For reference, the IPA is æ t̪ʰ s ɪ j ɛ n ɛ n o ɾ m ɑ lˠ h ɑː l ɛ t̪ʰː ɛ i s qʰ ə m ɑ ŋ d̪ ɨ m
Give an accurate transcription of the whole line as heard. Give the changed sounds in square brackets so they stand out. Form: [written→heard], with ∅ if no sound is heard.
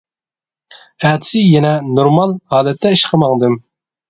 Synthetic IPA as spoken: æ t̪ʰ s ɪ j ɛ n ɛ n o ɾ m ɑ lˠ h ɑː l ɛ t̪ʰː ɛ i [s→ʃ] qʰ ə m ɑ ŋ d̪ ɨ m